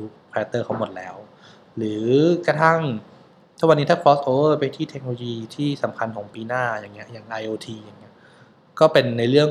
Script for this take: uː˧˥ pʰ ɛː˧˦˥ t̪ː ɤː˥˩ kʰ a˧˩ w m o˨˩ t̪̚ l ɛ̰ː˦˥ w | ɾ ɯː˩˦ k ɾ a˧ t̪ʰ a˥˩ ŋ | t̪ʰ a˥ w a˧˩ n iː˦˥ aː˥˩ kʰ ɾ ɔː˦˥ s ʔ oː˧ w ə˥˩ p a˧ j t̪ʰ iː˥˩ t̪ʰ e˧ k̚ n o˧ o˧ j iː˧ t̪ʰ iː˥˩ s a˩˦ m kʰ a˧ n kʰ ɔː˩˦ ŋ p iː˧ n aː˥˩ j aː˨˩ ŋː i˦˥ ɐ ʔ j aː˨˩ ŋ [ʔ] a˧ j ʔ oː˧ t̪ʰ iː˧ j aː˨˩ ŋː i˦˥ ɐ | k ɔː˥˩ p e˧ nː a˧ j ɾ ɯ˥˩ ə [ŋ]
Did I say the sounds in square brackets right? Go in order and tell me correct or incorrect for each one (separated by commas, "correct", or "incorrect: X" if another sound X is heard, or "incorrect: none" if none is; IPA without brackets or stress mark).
correct, correct